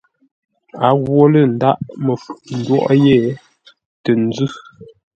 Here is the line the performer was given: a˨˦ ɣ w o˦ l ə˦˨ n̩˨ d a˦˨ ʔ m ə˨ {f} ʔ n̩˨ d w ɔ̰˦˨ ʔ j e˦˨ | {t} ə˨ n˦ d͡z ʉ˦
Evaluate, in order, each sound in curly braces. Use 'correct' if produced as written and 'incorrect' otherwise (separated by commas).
correct, correct